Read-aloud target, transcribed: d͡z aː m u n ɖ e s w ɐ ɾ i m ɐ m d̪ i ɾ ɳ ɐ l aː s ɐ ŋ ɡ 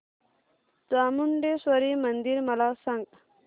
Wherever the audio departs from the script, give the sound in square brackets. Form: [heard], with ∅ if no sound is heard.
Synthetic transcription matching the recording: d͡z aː m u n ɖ e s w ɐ ɾ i m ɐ [n] d̪ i ɾ [m] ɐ l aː s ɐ ŋ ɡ

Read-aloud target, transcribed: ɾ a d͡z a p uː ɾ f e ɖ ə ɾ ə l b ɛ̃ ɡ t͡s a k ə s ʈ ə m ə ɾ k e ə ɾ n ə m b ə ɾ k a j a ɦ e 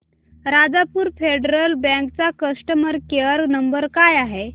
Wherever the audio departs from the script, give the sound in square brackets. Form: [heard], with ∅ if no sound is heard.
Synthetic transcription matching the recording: ɾ a d͡z a p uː ɾ f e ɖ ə ɾ ə l b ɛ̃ [k] t͡s a k ə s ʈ ə m ə ɾ k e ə ɾ n ə m b ə ɾ k a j a ɦ e

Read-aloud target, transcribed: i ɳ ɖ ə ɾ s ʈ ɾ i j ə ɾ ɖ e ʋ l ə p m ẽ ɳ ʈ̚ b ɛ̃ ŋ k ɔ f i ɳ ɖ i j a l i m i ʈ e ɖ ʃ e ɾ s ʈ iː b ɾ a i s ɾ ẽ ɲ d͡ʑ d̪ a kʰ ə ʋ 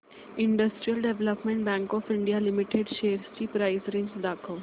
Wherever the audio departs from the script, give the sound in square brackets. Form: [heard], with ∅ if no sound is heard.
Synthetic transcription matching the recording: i ɳ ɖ ə [∅] s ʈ ɾ i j ə [l] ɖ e ʋ l ə p m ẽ ɳ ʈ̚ b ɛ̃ ŋ k ɔ f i ɳ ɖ i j a l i m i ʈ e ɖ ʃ e ɾ s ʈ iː [p] ɾ a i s ɾ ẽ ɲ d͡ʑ d̪ a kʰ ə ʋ

